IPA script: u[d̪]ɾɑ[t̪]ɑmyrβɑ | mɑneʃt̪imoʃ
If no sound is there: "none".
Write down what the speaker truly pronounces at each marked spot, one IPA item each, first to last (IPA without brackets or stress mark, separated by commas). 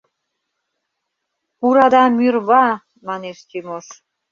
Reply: none, d̪